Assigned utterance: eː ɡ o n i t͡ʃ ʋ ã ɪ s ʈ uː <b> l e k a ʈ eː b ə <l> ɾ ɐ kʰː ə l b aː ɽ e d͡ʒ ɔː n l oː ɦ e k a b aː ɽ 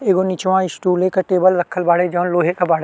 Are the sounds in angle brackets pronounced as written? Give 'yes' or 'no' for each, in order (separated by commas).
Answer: no, yes